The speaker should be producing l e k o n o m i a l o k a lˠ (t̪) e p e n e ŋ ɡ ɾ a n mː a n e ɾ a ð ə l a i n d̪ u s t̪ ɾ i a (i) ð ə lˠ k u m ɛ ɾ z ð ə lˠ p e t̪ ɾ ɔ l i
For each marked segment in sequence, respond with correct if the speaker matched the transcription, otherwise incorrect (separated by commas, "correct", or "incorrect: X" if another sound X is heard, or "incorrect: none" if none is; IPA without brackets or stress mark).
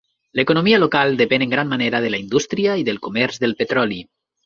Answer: incorrect: d̪, correct